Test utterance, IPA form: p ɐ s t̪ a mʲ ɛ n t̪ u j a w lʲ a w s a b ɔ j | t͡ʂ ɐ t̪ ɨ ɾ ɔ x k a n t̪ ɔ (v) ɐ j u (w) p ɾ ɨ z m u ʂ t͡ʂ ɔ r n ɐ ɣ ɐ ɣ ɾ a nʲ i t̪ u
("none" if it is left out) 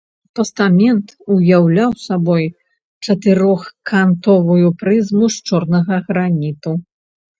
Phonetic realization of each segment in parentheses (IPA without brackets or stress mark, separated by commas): v, none